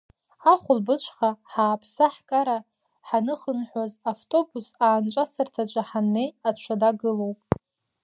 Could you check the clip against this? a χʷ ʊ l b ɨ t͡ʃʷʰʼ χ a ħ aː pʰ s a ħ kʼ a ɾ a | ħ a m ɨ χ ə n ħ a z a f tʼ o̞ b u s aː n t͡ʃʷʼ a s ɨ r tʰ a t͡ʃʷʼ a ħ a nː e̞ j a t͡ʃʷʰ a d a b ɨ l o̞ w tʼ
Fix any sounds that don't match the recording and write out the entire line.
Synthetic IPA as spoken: a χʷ ʊ l b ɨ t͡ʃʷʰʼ χ a ħ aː pʰ s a ħ kʼ a ɾ a | ħ a n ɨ χ ə n ħ a z a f tʼ o̞ b u s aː n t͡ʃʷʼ a s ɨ r tʰ a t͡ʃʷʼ a ħ a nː e̞ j a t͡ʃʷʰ a d a ɡ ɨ l o̞ w pʼ